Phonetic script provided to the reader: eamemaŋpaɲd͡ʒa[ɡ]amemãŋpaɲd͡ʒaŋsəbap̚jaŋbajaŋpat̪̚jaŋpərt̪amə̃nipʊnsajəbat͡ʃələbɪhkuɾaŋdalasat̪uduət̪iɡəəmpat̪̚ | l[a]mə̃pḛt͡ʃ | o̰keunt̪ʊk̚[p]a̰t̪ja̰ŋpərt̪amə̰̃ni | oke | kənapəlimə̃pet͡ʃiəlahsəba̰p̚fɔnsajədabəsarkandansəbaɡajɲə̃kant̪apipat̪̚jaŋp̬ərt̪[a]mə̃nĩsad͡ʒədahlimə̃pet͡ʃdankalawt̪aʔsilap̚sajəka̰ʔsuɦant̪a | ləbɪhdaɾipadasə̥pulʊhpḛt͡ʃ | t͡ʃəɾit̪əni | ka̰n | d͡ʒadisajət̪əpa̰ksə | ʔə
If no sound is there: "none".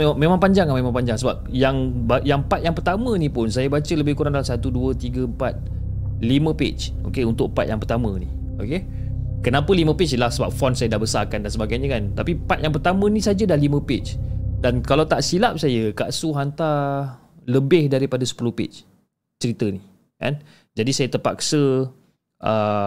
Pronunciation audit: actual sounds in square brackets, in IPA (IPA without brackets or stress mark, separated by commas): ŋ, i, p, a